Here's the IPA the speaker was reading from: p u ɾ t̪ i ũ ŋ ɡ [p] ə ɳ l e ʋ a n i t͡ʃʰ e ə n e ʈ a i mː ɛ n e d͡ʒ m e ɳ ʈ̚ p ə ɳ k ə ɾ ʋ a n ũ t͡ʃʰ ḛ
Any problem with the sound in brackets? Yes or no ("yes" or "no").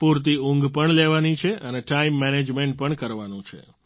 no